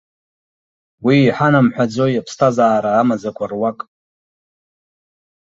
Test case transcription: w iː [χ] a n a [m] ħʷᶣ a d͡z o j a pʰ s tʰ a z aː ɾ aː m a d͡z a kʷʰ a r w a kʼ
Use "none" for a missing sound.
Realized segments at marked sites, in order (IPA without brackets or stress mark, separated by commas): ħ, m